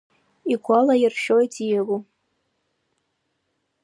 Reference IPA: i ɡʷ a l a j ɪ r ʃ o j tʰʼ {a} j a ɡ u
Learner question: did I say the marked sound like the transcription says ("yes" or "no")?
no